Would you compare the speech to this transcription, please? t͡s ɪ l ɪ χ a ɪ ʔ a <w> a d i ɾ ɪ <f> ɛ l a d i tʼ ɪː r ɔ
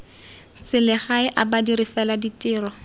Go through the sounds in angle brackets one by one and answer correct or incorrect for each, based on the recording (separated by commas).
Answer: incorrect, correct